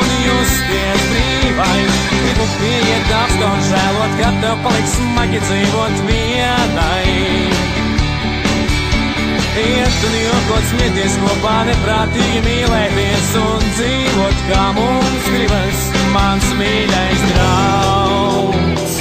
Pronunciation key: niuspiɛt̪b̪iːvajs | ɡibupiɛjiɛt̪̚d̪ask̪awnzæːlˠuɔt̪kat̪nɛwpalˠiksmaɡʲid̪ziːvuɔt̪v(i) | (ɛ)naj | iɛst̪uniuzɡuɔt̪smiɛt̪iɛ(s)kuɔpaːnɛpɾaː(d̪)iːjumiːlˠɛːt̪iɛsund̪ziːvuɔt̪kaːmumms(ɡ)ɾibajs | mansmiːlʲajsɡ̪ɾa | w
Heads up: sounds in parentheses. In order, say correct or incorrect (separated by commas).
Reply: correct, correct, correct, incorrect, correct